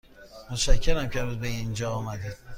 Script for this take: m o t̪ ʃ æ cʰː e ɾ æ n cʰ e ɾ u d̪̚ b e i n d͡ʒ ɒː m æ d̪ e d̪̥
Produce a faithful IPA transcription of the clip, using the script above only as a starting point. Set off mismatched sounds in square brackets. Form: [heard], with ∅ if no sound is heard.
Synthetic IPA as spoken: m o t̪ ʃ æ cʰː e ɾ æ [m] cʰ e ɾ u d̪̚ b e i n d͡ʒ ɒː m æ d̪ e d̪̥